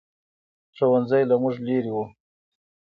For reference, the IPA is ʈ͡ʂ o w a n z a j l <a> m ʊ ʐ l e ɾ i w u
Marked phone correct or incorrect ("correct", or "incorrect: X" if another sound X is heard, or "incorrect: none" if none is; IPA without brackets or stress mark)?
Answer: correct